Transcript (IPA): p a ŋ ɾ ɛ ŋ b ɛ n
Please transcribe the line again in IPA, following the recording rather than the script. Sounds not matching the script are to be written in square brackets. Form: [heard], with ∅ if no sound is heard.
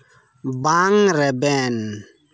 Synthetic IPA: [b] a ŋ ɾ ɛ [∅] b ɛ n